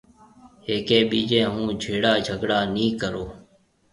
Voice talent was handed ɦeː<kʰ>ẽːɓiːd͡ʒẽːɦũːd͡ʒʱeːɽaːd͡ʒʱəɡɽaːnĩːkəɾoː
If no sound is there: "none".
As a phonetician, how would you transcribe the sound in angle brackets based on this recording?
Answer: k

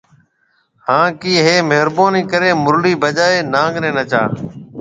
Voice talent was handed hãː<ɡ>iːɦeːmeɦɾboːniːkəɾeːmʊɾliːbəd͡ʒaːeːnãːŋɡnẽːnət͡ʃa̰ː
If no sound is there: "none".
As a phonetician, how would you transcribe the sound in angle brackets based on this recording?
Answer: k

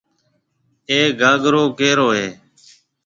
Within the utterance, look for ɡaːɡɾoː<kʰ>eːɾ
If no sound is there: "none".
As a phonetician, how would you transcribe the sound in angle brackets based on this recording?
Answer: k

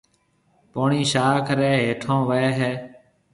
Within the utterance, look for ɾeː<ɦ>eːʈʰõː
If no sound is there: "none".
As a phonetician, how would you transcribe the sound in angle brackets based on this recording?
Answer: ɦ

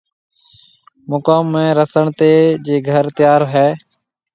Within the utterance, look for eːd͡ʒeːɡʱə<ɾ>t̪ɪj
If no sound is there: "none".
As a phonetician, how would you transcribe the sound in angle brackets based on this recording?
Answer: ɾ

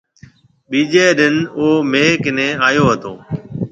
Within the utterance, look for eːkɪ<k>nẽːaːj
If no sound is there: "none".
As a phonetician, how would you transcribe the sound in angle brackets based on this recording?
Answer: none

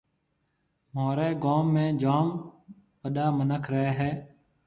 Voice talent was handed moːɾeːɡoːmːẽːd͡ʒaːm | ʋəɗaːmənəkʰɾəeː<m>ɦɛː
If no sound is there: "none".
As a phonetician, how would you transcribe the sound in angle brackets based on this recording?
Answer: none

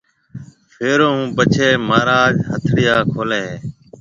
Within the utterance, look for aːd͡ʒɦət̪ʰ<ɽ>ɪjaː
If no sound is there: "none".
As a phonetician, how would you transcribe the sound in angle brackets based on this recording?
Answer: ɽ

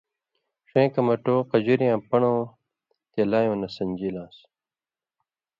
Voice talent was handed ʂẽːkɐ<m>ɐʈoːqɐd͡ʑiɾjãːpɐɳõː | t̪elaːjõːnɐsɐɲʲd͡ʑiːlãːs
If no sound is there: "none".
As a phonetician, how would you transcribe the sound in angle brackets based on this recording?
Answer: m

